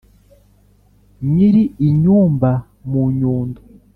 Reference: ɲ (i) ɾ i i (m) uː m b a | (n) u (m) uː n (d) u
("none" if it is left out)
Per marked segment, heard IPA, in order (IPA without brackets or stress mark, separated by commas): i, ɲ, m, ɲ, d